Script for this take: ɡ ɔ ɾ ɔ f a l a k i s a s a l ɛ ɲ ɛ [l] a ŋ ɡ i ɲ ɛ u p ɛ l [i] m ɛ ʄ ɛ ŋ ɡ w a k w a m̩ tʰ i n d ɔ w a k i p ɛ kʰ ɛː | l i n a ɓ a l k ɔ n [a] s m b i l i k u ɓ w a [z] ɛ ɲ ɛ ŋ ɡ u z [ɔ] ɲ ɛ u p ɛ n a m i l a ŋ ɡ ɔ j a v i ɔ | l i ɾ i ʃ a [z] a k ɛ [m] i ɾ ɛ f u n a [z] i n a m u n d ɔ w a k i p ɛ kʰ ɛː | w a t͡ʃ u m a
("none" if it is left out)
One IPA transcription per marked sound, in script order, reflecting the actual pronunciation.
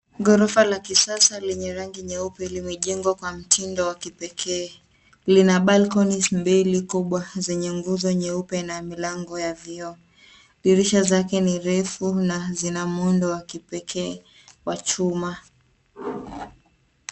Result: ɾ, i, i, z, ɔ, z, n, z

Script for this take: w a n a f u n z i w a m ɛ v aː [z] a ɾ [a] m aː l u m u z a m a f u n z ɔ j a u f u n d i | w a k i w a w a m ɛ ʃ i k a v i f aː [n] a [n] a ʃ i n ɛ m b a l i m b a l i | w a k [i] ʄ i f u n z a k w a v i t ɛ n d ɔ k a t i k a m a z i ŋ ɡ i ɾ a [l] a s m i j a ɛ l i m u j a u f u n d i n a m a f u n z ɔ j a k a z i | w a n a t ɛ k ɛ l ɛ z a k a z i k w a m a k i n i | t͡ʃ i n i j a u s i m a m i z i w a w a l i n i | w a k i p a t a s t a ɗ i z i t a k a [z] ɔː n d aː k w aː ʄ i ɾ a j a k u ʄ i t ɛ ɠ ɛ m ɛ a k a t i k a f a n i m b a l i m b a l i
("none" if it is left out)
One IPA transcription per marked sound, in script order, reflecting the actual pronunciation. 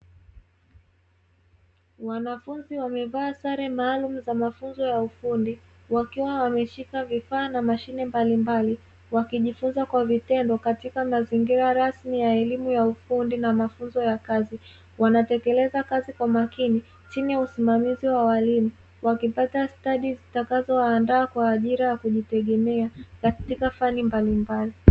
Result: s, ɛ, n, m, i, ɾ, z

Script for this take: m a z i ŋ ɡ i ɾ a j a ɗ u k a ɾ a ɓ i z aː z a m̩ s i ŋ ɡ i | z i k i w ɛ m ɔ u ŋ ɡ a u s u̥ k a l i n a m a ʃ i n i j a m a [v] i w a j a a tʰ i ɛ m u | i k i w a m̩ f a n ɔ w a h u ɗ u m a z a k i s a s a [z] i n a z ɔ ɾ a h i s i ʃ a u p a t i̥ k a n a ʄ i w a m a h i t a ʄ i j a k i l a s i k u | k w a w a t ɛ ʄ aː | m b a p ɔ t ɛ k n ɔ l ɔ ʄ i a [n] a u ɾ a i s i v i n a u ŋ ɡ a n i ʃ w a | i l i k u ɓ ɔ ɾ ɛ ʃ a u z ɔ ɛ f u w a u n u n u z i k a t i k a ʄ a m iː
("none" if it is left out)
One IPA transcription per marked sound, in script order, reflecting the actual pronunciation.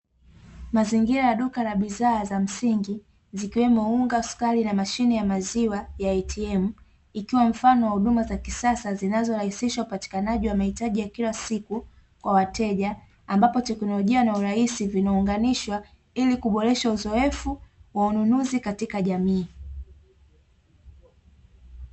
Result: z, z, n

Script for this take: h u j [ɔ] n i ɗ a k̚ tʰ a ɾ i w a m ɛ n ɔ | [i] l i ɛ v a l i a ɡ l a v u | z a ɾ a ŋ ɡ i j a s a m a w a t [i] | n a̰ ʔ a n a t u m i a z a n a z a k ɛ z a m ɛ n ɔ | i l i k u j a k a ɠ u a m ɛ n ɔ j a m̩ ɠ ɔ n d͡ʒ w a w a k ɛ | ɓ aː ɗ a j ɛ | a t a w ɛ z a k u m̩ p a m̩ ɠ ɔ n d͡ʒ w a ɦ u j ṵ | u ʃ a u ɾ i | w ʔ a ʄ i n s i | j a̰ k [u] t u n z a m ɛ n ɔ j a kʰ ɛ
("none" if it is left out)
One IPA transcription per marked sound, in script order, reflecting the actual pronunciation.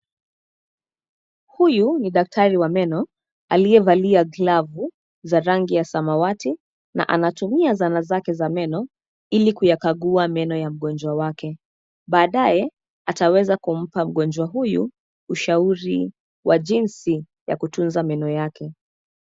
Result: u, a, i, u

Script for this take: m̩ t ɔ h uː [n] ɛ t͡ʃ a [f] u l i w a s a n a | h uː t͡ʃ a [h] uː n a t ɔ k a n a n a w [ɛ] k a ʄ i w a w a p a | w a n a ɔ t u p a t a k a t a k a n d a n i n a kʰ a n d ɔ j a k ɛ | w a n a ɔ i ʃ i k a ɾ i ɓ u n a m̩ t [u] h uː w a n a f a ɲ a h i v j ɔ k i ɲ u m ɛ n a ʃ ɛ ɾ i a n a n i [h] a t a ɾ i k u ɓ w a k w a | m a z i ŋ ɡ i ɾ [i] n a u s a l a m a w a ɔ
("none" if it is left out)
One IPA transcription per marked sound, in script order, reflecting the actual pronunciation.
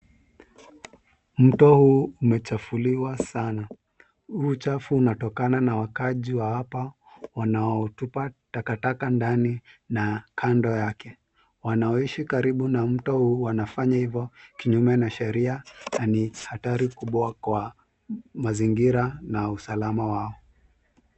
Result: m, f, f, a, ɔ, h, a

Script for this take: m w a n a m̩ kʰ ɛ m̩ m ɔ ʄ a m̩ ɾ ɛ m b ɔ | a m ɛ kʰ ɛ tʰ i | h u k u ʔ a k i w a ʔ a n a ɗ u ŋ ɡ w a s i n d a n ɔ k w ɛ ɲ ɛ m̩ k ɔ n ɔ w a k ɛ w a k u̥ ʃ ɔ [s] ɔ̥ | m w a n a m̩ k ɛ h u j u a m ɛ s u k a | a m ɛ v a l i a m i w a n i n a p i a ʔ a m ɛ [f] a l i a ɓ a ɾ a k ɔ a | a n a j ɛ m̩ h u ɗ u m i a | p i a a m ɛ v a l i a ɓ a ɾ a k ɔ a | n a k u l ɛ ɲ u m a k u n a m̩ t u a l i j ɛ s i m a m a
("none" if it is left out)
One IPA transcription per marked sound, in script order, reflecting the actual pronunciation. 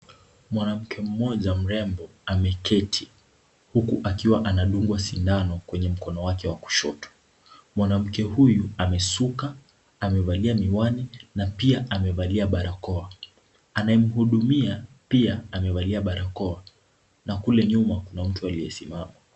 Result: t, v

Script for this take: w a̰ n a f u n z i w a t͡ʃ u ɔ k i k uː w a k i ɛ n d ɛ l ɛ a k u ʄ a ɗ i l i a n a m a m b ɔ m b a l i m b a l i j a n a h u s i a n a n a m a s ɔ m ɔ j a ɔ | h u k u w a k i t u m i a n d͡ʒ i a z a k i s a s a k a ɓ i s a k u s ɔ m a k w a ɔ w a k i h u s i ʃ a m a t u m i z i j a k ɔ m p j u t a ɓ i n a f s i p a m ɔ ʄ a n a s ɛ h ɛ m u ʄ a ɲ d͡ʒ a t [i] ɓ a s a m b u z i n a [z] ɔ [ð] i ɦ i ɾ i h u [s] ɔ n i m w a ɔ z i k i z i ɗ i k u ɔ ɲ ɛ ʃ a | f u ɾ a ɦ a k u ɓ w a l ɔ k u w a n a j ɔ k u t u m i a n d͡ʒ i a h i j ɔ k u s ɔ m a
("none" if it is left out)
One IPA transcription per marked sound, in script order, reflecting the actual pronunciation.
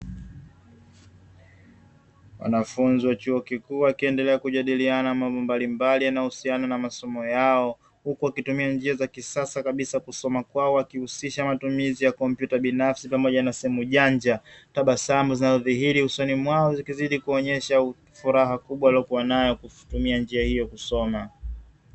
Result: a, z, ð, s

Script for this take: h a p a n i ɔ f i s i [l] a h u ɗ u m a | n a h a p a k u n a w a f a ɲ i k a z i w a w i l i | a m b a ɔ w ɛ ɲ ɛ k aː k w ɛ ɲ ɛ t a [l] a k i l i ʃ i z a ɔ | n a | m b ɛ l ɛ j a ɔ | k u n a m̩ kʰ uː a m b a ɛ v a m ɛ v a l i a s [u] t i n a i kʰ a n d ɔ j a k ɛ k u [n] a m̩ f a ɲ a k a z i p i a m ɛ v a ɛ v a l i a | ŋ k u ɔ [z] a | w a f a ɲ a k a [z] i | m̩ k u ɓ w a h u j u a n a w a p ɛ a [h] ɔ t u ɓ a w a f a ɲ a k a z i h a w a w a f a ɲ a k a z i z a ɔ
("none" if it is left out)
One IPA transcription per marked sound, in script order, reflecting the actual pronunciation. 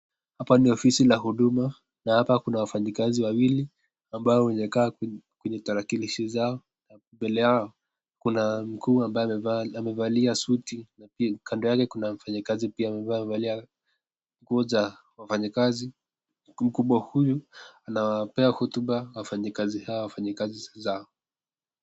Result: l, ɾ, u, n, z, z, h

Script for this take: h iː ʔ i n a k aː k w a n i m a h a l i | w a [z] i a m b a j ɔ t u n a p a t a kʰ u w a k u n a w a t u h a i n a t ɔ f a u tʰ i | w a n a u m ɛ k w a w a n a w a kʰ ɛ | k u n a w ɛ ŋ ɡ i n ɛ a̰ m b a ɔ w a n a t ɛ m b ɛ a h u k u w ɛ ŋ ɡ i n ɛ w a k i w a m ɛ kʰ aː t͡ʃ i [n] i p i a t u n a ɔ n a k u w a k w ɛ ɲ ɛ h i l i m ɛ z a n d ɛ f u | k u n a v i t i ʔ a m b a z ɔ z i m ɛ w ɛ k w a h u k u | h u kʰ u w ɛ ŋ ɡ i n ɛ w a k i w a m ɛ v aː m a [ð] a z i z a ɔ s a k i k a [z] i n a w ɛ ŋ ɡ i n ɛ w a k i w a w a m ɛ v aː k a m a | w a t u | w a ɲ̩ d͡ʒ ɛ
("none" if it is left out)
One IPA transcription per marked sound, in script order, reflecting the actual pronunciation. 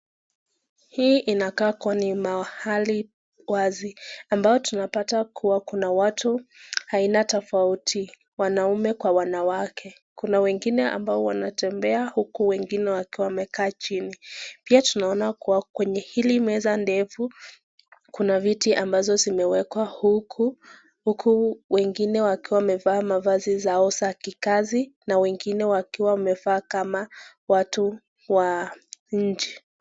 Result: z, n, v, z

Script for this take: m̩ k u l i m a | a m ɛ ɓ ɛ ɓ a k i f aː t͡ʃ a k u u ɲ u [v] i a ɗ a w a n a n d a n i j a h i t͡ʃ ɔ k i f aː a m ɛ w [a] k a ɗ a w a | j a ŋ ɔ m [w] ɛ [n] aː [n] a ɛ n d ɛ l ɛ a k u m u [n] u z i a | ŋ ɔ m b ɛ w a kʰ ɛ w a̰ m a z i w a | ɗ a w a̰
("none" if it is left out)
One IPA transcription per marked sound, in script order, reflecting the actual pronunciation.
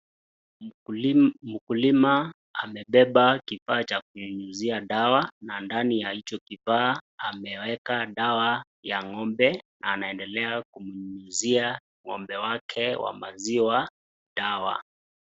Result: z, ɛ, b, n, n, ɲ

